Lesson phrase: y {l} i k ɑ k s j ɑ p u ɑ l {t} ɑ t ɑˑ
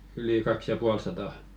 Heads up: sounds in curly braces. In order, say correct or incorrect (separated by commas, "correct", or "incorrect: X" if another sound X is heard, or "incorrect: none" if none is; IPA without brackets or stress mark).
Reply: correct, incorrect: s